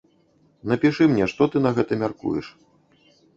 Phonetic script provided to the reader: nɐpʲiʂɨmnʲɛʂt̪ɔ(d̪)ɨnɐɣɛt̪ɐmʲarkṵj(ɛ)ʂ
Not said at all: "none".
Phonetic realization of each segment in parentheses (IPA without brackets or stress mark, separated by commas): t̪, ɛ